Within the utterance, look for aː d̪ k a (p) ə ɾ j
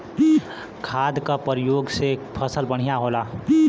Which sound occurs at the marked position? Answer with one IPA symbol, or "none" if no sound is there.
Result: p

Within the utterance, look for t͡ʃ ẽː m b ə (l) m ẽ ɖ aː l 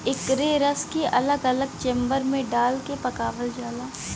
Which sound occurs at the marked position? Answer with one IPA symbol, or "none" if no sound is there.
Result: ɾ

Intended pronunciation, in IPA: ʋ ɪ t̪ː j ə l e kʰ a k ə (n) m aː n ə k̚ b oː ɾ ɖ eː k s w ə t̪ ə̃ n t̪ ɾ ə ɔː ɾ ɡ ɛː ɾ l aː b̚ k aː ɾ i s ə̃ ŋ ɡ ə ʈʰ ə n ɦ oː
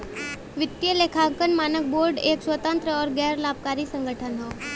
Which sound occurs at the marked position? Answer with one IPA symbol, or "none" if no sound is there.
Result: n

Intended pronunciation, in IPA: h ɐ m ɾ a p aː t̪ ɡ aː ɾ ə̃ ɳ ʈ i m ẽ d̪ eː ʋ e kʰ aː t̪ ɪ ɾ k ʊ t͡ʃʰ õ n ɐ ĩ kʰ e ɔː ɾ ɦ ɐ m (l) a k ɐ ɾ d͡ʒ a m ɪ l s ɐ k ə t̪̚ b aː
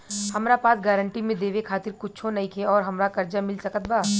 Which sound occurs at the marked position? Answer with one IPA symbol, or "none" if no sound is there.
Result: ɾ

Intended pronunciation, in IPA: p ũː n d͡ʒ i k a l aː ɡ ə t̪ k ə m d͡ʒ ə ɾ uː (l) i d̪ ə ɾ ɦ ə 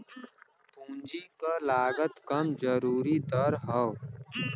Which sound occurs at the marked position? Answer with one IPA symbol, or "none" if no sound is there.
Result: ɾ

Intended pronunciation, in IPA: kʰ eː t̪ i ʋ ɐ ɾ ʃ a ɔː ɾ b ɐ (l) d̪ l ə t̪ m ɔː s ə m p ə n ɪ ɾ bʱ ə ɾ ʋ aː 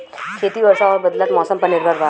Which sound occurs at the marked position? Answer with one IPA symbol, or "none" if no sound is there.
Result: none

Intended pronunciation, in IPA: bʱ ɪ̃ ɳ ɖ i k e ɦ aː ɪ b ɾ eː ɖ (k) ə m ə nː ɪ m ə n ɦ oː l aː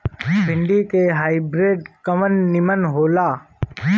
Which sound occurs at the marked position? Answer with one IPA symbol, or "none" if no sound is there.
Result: k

